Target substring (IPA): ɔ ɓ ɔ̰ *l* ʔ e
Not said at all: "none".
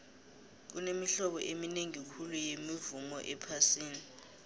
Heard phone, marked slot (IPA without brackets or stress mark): none